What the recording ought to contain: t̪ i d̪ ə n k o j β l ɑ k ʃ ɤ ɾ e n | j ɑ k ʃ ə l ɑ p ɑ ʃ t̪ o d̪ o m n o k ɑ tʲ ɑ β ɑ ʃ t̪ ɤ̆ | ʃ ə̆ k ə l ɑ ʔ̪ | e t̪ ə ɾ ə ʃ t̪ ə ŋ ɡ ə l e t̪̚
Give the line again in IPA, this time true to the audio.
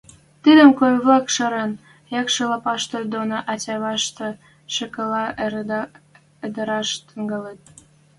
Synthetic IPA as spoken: t̪ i d̪ ə m k o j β l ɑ k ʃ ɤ ɾ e n | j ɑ k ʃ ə l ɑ p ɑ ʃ t̪ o d̪ o n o ʔ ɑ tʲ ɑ β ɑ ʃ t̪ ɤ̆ | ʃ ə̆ k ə l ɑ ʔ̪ | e d̪ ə ɾ ɑ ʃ t̪ ə ŋ ɡ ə l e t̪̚